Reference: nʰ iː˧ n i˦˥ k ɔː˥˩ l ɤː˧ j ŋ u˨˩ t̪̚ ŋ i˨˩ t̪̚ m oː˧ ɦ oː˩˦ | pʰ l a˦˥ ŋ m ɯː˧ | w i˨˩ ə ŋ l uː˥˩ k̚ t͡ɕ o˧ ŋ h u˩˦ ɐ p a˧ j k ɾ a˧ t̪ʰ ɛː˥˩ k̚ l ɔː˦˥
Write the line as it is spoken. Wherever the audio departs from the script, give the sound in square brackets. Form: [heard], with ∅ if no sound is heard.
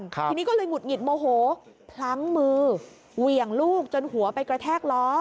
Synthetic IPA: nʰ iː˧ n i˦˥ k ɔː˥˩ l ɤː˧ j ŋ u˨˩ t̪̚ ŋ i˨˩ t̪̚ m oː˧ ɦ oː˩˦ | pʰ l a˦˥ ŋ m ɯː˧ | w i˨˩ ə ŋ l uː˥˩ k̚ t͡ɕ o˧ [n] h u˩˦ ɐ p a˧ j k ɾ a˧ t̪ʰ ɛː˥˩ k̚ l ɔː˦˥